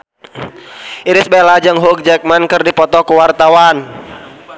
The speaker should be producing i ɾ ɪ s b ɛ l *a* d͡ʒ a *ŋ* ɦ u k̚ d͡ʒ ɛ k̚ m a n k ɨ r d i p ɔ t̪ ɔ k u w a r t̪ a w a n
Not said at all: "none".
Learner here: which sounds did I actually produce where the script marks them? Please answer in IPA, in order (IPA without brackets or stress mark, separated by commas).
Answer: a, ŋ